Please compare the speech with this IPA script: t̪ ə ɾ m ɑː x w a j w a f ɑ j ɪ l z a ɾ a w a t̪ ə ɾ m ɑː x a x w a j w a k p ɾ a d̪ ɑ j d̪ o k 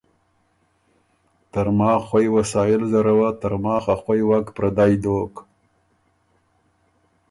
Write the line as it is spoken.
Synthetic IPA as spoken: t̪ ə ɾ m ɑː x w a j w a s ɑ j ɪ l z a ɾ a w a t̪ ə ɾ m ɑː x a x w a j w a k p ɾ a d̪ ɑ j d̪ o k